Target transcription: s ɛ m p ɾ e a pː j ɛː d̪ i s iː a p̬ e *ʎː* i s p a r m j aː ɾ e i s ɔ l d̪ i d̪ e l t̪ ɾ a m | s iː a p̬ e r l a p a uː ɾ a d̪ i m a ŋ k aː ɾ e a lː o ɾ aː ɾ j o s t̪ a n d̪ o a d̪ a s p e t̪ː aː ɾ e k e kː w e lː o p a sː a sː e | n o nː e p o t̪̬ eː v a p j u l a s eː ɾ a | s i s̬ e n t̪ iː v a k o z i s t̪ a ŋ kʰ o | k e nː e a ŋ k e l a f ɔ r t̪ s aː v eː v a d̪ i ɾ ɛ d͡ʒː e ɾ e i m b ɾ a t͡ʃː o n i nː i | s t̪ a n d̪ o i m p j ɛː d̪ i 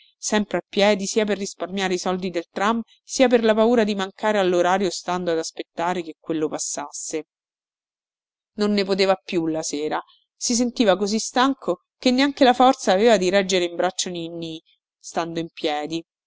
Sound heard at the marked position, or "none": rː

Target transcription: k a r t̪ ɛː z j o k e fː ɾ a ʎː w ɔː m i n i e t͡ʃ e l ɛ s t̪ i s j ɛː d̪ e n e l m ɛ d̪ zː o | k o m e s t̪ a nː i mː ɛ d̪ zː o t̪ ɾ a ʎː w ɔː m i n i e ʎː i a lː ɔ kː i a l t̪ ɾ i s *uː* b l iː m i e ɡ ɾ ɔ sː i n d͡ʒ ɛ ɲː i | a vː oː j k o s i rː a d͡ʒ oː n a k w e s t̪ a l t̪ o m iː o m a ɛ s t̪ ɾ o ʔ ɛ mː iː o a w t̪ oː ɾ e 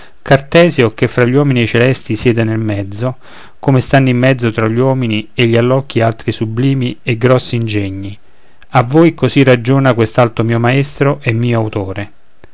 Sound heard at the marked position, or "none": u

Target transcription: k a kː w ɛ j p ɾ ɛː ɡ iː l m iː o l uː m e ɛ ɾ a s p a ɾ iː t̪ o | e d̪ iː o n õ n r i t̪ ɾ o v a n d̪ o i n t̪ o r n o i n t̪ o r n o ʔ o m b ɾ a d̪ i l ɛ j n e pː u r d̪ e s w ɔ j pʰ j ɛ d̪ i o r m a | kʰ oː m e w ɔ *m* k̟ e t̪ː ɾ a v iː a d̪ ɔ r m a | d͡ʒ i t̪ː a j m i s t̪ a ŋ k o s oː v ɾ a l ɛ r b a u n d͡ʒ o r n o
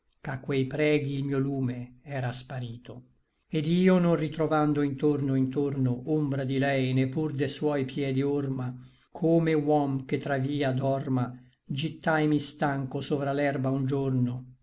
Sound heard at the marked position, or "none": m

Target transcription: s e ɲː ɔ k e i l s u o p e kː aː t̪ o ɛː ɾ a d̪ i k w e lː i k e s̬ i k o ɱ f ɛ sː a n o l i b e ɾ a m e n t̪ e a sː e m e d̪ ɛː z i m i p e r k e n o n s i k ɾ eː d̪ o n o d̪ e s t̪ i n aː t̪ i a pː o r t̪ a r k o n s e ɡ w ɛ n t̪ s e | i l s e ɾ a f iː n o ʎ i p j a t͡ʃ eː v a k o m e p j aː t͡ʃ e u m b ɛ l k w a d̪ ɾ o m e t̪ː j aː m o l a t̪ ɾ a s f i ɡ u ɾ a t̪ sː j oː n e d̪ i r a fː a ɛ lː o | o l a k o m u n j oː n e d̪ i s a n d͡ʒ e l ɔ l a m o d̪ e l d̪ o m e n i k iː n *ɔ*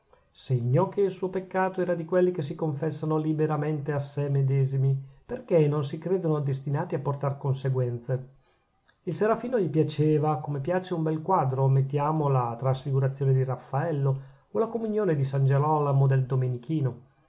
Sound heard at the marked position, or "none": o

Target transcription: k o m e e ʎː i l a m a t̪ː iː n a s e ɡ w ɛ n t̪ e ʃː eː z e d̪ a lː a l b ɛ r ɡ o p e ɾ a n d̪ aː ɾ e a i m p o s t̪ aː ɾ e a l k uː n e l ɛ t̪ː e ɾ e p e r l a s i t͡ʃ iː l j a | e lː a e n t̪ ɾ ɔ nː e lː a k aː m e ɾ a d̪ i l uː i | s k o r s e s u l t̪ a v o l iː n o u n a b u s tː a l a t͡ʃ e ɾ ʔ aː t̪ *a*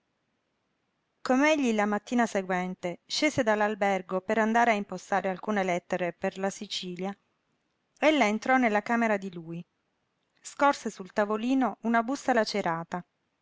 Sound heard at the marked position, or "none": a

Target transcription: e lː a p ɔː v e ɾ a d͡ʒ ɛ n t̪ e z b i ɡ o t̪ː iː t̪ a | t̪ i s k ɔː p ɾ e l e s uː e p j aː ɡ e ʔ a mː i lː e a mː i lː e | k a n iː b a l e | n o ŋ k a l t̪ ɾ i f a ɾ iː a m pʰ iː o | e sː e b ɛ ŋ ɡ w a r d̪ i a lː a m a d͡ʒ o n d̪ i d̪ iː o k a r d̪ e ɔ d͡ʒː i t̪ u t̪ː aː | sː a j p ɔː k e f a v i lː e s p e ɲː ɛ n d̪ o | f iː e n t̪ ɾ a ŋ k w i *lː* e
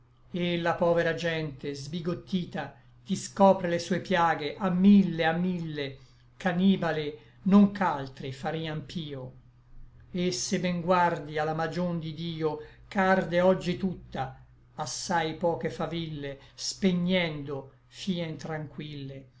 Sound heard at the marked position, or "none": lː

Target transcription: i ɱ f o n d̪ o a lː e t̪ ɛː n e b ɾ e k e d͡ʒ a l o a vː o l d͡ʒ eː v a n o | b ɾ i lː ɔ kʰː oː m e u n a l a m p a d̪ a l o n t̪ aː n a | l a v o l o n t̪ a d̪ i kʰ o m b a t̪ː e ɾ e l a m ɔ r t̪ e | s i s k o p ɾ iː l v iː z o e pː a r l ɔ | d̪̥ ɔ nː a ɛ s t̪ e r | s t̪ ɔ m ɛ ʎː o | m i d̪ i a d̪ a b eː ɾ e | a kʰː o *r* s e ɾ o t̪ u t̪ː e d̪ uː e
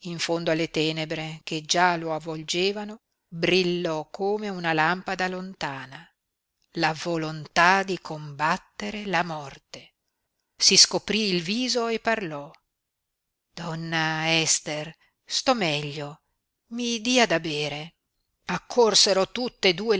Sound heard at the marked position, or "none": r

